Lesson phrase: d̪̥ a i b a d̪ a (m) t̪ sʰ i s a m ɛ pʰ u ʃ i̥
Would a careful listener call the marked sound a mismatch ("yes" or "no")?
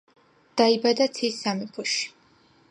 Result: yes